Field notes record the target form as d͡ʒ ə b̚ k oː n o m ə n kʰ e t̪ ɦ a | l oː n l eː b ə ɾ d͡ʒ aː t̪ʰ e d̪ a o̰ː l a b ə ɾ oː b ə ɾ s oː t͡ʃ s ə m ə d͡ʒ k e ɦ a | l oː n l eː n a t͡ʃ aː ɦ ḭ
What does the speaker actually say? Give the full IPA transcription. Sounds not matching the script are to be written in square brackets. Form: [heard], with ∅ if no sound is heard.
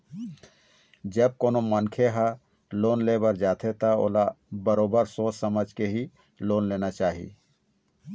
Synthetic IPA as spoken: d͡ʒ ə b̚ k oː n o m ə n kʰ e [∅] ɦ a | l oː n l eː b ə ɾ d͡ʒ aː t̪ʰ e [t̪] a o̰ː l a b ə ɾ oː b ə ɾ s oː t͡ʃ s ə m ə d͡ʒ k e ɦ [i] | l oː n l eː n a t͡ʃ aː ɦ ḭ